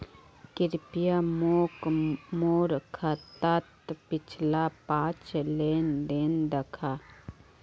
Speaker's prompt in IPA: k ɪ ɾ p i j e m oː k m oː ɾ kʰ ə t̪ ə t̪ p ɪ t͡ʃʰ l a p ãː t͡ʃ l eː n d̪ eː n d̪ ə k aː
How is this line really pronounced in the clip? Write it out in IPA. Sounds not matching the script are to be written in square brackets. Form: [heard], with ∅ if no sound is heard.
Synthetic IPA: k ɪ ɾ p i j [a] m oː k m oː ɾ kʰ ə t̪ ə t̪ p ɪ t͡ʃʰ l a p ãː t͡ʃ l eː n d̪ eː n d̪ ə [kʰ] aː